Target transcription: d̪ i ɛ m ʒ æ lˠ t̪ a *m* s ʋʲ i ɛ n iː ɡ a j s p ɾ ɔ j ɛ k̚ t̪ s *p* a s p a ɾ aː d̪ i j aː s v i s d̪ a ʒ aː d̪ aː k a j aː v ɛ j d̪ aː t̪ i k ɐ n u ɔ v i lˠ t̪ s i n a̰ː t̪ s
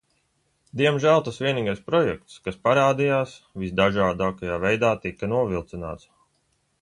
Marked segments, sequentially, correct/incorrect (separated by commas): incorrect, incorrect